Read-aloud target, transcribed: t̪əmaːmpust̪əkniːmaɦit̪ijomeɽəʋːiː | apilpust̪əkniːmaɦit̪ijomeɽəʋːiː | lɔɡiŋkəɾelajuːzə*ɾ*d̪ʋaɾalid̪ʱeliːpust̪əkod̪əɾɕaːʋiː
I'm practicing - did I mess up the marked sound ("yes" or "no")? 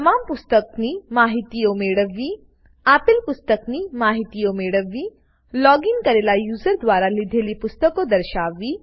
no